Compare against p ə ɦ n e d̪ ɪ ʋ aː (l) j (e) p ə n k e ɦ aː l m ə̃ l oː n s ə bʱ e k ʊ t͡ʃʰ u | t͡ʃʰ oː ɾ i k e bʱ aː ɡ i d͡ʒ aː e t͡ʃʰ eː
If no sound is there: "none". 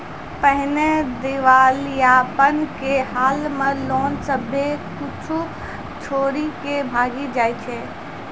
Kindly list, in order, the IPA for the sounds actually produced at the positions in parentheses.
l, a

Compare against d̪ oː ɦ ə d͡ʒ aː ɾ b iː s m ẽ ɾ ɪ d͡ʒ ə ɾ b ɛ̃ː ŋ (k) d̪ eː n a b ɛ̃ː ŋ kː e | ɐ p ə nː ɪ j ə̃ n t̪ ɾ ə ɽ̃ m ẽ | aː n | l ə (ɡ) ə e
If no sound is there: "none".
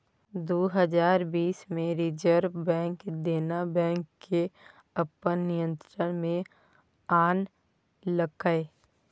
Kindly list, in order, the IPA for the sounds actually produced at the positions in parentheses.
k, k

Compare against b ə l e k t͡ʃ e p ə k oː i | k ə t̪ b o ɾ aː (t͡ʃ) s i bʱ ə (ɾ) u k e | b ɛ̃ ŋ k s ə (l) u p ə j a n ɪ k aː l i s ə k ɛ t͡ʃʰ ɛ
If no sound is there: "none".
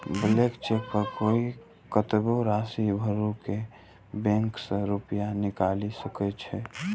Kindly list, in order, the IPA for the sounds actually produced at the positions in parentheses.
none, ɾ, ɾ

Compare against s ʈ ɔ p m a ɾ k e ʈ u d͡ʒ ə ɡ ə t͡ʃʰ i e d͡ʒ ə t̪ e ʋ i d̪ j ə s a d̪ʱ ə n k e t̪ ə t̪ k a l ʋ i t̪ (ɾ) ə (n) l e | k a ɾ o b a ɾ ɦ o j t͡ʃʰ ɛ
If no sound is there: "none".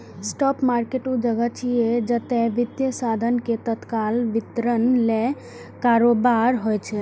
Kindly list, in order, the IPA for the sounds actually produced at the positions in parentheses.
ɾ, n

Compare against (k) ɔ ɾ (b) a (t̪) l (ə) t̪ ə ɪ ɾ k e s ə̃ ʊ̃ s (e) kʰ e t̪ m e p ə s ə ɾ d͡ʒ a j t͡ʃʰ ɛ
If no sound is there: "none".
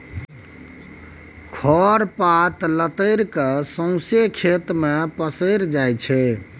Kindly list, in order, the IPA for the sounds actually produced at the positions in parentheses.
kʰ, p, t̪, ə, e

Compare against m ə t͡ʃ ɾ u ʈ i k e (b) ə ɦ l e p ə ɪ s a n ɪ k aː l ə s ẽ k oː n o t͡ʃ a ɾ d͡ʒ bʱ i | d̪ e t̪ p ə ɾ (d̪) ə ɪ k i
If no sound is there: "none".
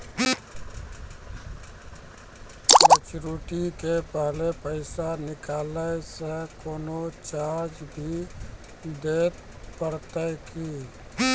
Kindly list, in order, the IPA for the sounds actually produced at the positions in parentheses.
p, t̪

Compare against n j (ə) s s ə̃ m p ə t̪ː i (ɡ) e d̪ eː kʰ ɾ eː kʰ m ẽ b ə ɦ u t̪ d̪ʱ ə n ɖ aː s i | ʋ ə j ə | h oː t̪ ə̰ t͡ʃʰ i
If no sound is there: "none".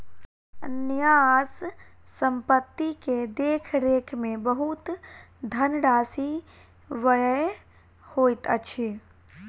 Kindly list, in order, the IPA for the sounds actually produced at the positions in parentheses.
a, k

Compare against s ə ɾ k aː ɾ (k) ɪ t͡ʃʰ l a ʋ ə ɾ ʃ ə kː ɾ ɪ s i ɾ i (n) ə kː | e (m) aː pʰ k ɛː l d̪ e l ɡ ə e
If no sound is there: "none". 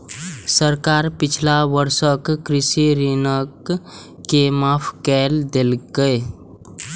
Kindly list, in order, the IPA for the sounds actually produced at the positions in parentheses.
p, n, m

